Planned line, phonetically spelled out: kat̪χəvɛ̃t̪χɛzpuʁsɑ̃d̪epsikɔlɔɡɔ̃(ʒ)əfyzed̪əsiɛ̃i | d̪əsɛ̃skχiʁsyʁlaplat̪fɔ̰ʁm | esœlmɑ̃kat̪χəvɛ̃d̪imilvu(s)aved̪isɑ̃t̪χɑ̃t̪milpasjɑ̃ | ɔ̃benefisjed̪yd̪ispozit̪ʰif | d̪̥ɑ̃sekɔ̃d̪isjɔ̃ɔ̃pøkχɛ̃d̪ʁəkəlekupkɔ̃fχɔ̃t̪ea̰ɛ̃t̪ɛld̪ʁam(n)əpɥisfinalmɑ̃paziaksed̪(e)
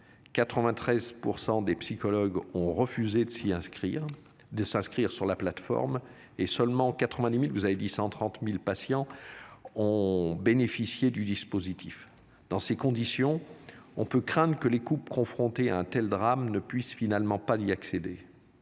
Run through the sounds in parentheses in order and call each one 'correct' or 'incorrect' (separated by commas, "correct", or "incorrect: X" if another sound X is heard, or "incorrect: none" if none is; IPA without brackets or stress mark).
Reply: incorrect: ʁ, incorrect: z, correct, correct